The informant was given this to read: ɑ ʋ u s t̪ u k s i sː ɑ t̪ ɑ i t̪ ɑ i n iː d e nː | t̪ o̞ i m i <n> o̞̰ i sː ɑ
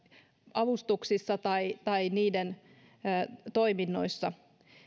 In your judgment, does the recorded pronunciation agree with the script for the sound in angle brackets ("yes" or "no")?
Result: no